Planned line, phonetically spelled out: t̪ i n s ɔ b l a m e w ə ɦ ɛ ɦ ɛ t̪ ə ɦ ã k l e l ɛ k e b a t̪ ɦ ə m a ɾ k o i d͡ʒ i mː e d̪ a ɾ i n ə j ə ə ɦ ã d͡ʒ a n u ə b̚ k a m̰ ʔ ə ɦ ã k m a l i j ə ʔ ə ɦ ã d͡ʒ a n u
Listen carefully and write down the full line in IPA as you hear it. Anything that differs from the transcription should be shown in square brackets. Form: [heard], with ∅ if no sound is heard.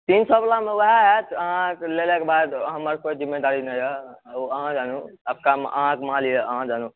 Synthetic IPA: t̪ i n s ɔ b l a m e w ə ɦ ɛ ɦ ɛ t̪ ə ɦ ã k l e l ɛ k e b a [d̪] ɦ ə m [ə] ɾ k o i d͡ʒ i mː e d̪ a ɾ i n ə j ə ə ɦ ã d͡ʒ a n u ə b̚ k a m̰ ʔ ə ɦ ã k m a l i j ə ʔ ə ɦ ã d͡ʒ a n u

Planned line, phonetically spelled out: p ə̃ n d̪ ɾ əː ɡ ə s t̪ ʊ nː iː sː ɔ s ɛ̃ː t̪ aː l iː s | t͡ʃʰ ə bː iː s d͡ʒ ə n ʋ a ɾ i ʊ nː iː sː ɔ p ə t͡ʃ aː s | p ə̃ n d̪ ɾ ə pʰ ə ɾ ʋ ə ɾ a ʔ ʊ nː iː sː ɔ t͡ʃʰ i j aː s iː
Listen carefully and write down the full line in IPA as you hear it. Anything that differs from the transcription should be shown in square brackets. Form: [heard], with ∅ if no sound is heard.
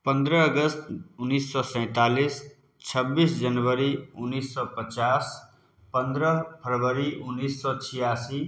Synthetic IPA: p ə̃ n d̪ ɾ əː ɡ ə s t̪ ʊ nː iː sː ɔ s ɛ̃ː t̪ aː l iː s | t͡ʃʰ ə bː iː s d͡ʒ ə n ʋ [ə] ɾ i ʊ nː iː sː ɔ p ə t͡ʃ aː s | p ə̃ n d̪ ɾ ə pʰ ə ɾ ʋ ə ɾ [i] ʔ ʊ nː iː sː ɔ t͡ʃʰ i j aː s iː

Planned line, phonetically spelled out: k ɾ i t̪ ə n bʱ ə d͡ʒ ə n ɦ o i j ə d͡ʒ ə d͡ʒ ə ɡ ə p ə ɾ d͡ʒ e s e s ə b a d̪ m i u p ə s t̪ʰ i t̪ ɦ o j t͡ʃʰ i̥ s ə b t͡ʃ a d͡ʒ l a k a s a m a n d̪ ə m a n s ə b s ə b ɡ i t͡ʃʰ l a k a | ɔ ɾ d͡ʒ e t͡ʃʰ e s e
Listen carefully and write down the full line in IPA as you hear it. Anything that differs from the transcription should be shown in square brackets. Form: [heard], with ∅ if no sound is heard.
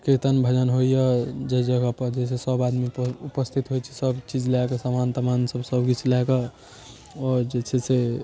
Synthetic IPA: k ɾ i t̪ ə n bʱ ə d͡ʒ ə n ɦ o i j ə d͡ʒ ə d͡ʒ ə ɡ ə p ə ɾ d͡ʒ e s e s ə b a d̪ m i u p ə s t̪ʰ i t̪ ɦ o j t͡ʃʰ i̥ s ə b t͡ʃ [i] d͡ʒ l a k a s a m a n [t̪] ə m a n s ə b s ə b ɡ i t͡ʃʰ l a k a | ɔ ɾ d͡ʒ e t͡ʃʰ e s e

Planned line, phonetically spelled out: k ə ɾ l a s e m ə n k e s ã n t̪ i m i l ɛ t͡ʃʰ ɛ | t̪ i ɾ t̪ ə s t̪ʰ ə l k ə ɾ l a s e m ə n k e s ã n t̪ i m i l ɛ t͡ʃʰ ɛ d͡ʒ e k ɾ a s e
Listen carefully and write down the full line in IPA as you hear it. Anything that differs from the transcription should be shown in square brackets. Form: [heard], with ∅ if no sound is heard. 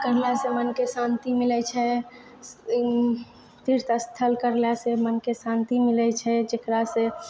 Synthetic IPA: k ə ɾ l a s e m ə n k e s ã n t̪ i m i l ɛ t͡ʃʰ ɛ | t̪ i ɾ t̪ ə s t̪ʰ ə l k ə ɾ l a s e m ə n k e s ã n t̪ i m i l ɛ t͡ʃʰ ɛ d͡ʒ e k ɾ a s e

